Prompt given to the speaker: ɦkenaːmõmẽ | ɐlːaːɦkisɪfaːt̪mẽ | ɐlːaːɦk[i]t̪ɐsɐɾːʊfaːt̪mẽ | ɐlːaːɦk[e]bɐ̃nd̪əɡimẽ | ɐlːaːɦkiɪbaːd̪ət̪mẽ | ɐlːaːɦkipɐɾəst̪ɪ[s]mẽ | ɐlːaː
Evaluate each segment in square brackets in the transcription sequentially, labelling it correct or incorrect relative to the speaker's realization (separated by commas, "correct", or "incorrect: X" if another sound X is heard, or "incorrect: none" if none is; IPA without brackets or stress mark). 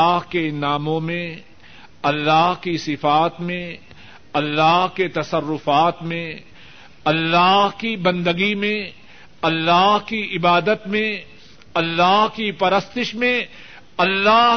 incorrect: e, incorrect: i, incorrect: ʃ